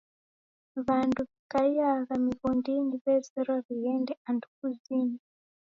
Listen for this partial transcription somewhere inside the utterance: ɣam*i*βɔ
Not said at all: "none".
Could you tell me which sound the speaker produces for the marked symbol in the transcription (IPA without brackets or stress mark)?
i